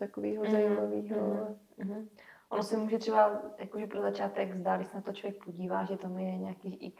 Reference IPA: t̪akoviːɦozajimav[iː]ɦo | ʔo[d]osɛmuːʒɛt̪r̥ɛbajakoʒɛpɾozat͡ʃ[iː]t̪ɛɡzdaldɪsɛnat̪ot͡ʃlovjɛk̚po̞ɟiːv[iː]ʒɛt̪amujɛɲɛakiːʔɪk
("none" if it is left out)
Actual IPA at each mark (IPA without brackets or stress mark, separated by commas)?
iː, n, aː, aː